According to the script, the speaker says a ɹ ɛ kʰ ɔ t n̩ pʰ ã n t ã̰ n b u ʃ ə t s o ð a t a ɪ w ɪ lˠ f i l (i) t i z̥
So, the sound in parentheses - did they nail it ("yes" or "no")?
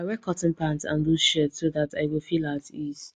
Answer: no